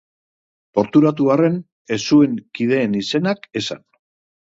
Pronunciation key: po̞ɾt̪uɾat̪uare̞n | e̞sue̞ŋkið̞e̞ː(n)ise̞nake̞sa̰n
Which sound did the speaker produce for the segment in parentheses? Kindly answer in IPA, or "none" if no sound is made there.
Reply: n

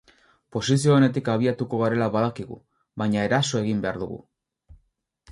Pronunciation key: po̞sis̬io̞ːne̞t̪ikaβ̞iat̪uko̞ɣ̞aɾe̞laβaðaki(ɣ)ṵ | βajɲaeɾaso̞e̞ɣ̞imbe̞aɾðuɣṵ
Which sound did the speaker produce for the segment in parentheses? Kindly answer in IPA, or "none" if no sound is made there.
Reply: ɣ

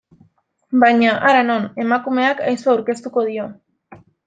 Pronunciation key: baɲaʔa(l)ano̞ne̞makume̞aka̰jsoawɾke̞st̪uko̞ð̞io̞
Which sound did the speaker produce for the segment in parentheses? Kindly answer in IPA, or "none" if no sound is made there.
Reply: ɾ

